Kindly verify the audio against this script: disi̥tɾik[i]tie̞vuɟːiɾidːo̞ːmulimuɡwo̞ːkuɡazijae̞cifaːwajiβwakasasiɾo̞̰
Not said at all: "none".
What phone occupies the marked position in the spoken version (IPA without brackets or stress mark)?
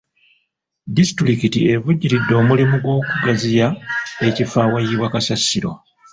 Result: i